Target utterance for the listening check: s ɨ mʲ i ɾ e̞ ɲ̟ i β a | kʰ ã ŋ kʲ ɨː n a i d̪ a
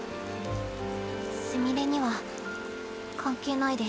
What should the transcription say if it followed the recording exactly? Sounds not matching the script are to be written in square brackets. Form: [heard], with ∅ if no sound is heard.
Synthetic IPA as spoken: s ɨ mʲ i ɾ e̞ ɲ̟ i β a | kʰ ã ŋ kʲ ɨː n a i d̪ [e]